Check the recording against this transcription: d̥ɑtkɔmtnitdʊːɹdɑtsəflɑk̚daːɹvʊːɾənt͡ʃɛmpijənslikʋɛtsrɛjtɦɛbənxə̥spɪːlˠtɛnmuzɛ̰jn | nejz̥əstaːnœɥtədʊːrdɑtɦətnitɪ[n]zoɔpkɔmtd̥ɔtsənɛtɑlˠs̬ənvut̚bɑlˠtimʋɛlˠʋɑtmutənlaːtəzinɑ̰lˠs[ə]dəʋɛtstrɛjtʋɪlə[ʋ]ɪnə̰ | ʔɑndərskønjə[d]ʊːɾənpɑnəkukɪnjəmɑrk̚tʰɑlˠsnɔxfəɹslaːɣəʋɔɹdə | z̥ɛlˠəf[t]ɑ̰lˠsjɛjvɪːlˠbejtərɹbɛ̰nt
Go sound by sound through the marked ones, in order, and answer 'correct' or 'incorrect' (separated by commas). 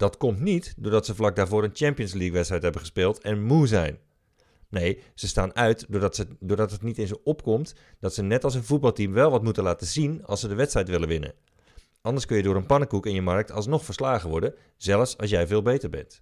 correct, correct, correct, correct, incorrect